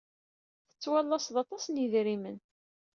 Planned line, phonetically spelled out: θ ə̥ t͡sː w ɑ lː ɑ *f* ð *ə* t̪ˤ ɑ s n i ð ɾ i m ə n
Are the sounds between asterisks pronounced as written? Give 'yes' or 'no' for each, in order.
no, no

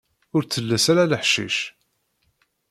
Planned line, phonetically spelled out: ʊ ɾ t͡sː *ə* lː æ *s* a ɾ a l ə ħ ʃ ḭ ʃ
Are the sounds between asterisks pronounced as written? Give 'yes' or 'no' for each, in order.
yes, yes

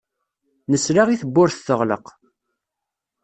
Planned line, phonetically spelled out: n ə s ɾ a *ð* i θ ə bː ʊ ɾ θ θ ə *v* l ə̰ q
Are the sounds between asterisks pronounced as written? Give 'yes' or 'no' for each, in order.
no, no

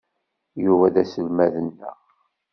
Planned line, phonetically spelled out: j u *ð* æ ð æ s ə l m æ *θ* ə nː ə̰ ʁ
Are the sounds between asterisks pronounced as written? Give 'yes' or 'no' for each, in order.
no, no

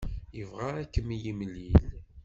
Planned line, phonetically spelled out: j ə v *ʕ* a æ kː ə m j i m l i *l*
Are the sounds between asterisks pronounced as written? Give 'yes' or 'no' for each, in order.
no, yes

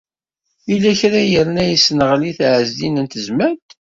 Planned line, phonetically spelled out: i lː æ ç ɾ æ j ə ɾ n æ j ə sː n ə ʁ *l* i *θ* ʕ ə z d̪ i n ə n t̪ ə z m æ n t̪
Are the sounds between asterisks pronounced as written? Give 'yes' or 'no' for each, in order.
yes, yes

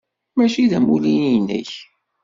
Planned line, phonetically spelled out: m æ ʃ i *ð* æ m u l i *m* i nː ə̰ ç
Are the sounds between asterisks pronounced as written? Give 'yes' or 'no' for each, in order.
yes, no

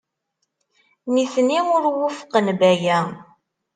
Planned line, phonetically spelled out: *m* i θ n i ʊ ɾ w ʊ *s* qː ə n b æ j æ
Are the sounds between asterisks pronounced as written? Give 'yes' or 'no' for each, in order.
no, no

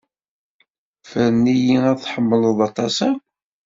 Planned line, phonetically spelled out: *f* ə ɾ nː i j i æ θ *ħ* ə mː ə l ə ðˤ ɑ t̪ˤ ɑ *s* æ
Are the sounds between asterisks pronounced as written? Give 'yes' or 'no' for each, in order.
yes, yes, yes

